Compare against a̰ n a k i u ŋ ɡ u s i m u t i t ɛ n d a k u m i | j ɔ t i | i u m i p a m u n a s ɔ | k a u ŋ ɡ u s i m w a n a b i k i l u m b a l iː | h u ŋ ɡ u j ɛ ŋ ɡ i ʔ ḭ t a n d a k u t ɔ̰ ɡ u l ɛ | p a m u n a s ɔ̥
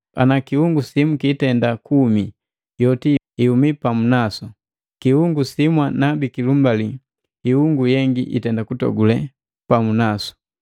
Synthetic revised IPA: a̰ n a k i u ŋ ɡ u s i m u k i t ɛ n d a k u m i | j ɔ t i | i u m i p a m u n a s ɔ | k i u ŋ ɡ u s i m w a n a b i k i l u m b a l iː | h u ŋ ɡ u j ɛ ŋ ɡ i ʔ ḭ t ɛ n d a k u t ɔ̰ ɡ u l ɛ | p a m u n a s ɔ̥